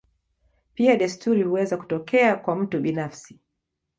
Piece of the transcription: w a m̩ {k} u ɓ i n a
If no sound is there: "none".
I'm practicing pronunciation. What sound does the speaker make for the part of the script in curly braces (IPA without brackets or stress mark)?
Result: t